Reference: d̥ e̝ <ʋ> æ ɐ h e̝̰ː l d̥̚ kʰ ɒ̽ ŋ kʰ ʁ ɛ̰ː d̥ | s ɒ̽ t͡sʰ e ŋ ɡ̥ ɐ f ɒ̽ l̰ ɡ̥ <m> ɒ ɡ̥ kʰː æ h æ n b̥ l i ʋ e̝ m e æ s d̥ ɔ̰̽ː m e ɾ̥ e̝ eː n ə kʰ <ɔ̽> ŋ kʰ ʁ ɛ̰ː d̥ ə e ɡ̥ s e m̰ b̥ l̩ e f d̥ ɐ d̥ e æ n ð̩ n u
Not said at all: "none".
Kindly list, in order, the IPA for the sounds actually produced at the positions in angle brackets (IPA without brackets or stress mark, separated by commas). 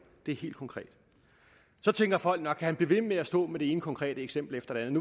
none, n, ɒ̽